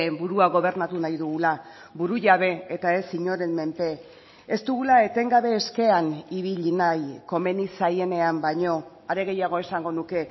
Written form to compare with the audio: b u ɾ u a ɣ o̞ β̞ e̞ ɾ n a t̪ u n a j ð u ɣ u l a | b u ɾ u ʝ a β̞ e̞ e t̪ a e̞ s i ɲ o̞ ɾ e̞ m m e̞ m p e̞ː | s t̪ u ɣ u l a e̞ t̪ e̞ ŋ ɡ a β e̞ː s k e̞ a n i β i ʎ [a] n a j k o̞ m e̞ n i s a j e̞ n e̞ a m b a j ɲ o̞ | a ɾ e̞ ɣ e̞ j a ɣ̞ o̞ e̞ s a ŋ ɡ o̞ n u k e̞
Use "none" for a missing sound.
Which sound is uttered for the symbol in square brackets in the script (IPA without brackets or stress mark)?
i